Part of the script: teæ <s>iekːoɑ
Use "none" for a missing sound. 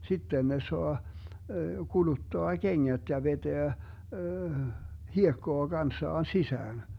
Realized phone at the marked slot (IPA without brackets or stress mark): h